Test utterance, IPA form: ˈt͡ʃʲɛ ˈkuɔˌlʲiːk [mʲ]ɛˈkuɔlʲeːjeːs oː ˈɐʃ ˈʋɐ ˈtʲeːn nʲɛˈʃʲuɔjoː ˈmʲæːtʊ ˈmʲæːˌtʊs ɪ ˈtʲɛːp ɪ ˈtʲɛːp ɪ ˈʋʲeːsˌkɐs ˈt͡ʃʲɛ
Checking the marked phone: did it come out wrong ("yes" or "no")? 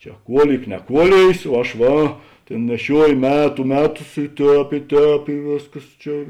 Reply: yes